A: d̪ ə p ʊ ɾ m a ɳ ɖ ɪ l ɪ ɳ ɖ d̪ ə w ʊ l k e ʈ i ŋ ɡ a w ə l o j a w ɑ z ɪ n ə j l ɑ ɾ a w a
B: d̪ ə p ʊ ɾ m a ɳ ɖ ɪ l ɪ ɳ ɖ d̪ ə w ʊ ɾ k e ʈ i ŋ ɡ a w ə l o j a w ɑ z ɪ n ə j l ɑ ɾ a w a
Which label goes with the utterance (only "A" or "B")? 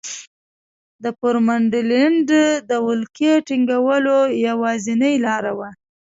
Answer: A